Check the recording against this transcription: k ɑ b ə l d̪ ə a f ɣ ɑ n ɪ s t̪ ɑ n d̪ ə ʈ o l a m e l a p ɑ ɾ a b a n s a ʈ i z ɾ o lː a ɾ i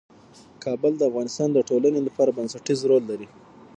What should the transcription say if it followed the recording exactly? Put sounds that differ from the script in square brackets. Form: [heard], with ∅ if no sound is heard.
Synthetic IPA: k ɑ b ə l d̪ ə a f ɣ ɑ n ɪ s t̪ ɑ n d̪ ə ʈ o l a [n] e l a p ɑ ɾ a b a n s a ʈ i z ɾ o lː a ɾ i